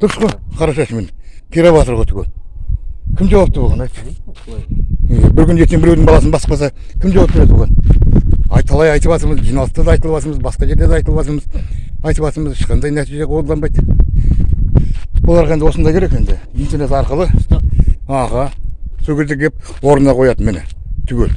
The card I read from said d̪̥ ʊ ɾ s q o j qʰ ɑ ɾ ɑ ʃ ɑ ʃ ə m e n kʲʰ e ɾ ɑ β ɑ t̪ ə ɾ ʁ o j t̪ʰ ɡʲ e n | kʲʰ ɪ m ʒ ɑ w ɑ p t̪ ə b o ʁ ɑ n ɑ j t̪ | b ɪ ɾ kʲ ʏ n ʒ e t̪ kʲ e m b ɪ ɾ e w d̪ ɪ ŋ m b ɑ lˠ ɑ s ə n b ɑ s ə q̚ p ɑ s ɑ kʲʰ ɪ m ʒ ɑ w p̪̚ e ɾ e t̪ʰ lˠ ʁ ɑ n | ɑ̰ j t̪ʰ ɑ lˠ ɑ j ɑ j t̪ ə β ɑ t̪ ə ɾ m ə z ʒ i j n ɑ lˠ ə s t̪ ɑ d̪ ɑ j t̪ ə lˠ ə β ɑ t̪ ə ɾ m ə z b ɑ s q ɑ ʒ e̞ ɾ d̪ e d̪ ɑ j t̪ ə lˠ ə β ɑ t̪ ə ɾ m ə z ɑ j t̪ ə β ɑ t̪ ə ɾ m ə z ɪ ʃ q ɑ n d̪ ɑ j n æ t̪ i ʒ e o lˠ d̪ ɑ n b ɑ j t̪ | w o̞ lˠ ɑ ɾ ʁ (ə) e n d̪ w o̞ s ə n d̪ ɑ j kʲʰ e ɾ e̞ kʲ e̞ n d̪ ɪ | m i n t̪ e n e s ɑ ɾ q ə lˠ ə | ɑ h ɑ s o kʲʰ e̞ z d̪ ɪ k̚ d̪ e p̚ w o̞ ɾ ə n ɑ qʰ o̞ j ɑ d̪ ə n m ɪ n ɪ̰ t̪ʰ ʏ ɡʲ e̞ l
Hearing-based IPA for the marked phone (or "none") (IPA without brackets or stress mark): ɑ